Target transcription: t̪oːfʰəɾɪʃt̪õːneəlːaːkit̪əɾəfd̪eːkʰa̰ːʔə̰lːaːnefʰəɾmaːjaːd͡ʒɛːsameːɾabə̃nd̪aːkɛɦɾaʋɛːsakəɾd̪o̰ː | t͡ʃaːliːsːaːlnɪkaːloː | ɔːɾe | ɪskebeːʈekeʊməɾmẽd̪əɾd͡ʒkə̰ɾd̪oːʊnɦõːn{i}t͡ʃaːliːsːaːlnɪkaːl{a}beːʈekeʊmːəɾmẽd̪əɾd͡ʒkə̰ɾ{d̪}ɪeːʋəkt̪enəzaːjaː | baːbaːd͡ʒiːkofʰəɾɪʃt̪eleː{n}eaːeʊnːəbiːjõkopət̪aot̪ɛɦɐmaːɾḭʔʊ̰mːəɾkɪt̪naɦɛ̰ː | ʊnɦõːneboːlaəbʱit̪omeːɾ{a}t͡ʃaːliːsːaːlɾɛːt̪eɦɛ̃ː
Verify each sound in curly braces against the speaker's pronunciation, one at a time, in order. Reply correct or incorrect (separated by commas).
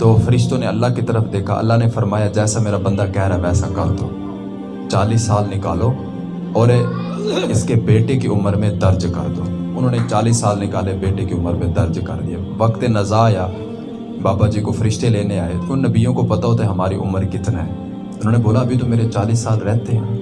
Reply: incorrect, incorrect, correct, correct, incorrect